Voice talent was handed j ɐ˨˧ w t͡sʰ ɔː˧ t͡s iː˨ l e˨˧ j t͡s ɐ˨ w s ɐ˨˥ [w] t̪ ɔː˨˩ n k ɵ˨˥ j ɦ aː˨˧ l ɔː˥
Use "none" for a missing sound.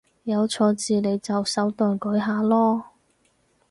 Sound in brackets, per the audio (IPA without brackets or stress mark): w